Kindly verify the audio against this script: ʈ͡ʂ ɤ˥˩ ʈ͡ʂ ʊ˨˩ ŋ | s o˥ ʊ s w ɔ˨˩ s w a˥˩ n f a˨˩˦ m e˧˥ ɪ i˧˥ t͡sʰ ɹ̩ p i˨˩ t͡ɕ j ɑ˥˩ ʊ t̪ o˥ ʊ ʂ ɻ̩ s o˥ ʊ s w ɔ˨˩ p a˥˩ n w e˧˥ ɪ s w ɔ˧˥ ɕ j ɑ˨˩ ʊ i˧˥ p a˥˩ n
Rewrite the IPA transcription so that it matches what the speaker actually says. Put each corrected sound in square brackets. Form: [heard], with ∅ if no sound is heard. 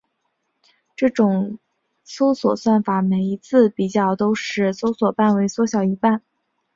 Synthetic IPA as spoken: ʈ͡ʂ ɤ˥˩ ʈ͡ʂ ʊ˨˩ ŋ | s o˥ ʊ s w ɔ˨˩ s w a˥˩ n f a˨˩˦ m [e˨˩] ɪ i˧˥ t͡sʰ ɹ̩ p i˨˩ t͡ɕ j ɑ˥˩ ʊ t̪ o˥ ʊ ʂ ɻ̩ s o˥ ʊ s w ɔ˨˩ p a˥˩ n w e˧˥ ɪ s w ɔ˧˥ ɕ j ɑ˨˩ ʊ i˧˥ p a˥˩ n